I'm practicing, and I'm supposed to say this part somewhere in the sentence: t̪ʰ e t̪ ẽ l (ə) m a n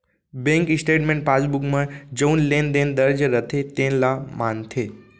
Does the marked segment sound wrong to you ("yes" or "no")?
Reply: yes